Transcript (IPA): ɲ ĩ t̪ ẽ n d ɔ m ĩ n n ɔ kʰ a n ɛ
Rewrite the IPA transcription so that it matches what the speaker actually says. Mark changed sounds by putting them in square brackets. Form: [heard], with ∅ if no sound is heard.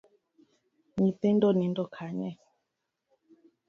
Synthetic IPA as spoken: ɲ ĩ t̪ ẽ n d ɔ [n] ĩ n [d] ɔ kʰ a [ɲ] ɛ